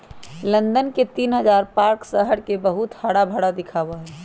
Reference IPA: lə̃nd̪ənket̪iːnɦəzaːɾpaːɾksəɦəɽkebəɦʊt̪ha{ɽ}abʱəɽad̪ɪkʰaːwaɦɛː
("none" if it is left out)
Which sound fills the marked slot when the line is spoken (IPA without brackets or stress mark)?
ɽ